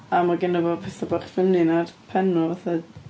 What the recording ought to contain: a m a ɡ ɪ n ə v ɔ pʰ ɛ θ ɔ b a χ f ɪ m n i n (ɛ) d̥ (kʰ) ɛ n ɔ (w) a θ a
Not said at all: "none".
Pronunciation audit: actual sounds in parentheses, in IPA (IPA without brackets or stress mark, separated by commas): a, pʰ, v